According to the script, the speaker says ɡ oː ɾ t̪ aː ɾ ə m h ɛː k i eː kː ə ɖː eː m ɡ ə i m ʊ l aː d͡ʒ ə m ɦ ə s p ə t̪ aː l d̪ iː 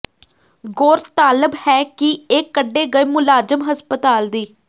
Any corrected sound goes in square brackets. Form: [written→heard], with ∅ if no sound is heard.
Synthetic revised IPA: ɡ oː ɾ t̪ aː [ɾ→l] ə [m→b] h ɛː k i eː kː ə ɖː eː [m→∅] ɡ ə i m ʊ l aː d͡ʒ ə m ɦ ə s p ə t̪ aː l d̪ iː